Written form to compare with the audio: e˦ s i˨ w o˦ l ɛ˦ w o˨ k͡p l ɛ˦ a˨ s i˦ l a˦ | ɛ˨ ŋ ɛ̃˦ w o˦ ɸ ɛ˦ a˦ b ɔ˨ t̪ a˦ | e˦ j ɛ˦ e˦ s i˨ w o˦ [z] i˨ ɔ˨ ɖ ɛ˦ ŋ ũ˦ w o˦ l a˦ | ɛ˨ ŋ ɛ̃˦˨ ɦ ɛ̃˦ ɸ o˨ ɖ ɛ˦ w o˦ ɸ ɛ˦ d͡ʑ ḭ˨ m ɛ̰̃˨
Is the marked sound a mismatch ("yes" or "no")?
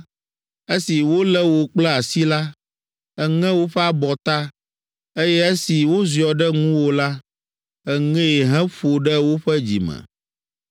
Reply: no